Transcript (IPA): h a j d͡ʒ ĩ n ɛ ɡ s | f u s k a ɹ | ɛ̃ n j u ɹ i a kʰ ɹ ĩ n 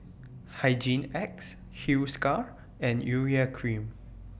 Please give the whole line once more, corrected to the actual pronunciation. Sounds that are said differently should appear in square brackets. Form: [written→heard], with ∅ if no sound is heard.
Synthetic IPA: h a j d͡ʒ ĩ n ɛ [ɡ→k] s | [f→h] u s k a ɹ | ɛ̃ n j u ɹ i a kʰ ɹ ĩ [n→m]